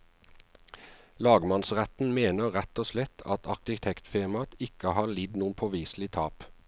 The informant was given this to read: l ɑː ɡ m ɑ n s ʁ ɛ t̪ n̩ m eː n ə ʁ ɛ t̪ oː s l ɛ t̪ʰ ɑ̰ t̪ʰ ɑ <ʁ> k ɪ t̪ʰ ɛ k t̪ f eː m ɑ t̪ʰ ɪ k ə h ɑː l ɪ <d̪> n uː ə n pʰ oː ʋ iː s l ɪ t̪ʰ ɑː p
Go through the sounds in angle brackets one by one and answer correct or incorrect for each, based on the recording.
correct, correct

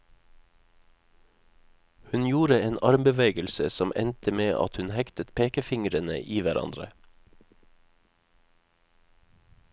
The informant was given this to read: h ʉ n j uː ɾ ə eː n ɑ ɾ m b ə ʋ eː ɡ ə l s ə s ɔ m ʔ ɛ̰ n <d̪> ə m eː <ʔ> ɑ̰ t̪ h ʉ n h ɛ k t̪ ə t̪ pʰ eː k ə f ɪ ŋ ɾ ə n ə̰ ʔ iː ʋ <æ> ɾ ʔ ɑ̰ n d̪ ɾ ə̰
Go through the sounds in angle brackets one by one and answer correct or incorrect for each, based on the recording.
incorrect: t̪, correct, correct

